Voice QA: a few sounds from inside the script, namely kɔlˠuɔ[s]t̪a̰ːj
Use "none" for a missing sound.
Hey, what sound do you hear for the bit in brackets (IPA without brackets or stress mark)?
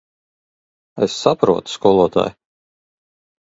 none